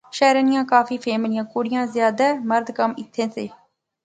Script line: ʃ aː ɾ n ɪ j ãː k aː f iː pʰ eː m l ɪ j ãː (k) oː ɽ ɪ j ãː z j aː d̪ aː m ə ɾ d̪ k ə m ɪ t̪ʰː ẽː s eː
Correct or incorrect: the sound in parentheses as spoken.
correct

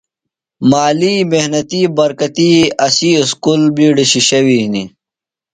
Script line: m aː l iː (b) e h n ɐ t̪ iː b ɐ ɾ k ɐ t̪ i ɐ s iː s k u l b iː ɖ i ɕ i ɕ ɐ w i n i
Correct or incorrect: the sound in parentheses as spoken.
incorrect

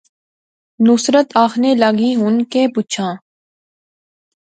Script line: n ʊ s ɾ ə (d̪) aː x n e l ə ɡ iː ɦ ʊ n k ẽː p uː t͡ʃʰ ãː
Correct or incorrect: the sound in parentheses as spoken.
incorrect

